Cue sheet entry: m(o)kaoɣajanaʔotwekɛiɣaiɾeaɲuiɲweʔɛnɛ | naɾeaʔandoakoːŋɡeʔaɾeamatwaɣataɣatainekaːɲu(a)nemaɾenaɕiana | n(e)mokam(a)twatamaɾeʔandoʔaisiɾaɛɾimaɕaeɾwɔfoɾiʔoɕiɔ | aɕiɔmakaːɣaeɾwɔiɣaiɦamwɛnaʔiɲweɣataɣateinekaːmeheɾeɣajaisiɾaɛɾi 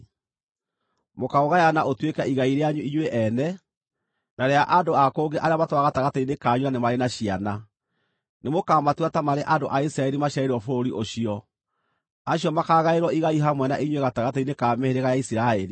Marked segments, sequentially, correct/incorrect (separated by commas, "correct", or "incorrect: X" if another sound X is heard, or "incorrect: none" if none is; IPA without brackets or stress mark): correct, correct, correct, correct